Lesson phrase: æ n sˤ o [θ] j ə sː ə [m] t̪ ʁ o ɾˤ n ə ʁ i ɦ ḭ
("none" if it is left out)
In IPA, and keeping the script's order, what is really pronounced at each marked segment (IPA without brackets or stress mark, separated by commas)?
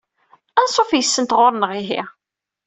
f, n